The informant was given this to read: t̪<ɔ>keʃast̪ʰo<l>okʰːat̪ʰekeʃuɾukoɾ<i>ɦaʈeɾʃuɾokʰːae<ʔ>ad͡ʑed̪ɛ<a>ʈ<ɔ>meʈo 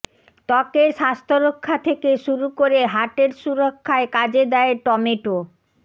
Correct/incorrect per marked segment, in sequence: correct, incorrect: ɾ, incorrect: e, incorrect: k, incorrect: e, correct

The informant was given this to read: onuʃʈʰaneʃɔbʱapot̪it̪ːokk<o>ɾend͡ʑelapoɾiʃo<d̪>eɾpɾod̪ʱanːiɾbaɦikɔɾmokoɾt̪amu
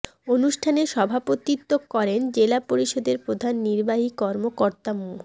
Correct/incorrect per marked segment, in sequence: incorrect: ɔ, correct

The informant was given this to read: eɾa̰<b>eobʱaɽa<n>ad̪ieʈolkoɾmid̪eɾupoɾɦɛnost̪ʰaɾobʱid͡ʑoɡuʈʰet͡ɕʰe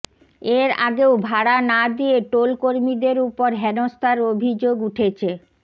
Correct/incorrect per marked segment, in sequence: incorrect: ɡ, correct

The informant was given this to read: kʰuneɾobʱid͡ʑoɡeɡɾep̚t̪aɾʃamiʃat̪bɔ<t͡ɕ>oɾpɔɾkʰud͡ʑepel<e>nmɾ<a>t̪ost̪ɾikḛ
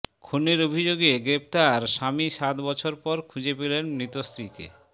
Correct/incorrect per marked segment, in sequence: incorrect: t͡ɕʰ, correct, incorrect: i

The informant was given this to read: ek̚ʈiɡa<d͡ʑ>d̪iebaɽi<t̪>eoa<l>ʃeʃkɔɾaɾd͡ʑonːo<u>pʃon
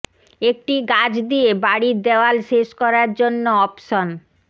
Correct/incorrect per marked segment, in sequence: correct, incorrect: d̪, correct, incorrect: ɔ

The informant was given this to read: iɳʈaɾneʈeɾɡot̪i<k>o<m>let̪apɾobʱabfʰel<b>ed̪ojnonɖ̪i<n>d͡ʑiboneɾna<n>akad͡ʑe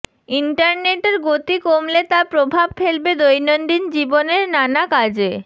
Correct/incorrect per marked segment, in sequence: correct, correct, correct, correct, correct

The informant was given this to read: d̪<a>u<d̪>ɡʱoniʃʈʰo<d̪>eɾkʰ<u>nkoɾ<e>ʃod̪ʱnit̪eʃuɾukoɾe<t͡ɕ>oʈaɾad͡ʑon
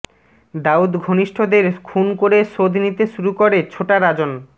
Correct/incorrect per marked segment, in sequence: correct, correct, correct, correct, correct, incorrect: t͡ɕʰ

